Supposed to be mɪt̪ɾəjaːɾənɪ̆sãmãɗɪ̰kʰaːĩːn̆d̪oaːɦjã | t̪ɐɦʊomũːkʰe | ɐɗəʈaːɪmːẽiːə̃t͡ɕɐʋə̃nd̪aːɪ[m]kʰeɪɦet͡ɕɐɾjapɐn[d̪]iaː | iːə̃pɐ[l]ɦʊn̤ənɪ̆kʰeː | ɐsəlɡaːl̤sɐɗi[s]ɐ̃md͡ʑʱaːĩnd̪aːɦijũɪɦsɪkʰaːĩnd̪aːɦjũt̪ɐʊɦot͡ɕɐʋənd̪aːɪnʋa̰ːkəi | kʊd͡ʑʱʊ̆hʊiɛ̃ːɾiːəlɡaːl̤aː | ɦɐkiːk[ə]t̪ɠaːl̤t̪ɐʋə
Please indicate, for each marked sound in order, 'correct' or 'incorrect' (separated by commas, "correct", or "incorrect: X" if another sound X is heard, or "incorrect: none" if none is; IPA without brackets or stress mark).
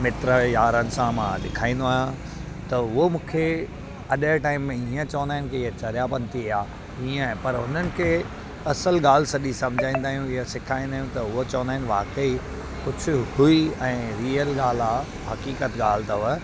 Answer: incorrect: n, incorrect: t̪, incorrect: ɾ, correct, correct